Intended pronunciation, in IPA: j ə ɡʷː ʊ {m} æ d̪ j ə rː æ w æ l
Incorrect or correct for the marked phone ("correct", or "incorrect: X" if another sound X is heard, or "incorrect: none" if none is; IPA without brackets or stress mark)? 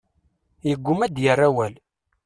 correct